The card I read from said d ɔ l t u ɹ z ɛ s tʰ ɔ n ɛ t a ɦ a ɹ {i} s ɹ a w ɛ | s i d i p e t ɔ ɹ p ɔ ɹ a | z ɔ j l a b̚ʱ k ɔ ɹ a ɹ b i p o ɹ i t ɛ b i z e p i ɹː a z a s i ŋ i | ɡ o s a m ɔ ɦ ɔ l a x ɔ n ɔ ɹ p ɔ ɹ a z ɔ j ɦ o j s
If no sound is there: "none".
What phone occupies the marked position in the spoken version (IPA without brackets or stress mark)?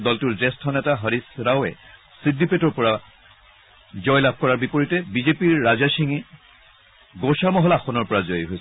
i